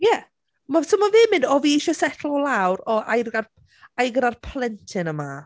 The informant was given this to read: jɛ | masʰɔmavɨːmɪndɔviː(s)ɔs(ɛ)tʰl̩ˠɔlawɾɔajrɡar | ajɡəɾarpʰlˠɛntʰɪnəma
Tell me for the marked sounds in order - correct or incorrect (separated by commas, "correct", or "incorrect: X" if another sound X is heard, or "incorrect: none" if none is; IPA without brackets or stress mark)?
incorrect: ʃ, correct